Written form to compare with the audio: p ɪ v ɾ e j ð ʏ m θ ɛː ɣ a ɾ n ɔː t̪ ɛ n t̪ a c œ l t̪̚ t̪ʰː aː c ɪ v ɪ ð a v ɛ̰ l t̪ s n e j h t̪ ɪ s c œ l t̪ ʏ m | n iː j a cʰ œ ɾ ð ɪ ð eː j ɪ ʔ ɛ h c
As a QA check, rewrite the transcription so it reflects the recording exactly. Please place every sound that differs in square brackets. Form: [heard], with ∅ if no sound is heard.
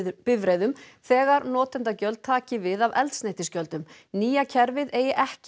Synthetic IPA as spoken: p ɪ v ɾ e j ð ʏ m θ ɛː ɣ a ɾ n ɔː t̪ ɛ n t̪ a c œ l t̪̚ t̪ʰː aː c ɪ v ɪ ð a v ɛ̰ l t̪ s n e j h t̪ ɪ s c œ l t̪ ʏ m | n iː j a cʰ [ɛ] ɾ [v] ɪ ð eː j ɪ ʔ ɛ h c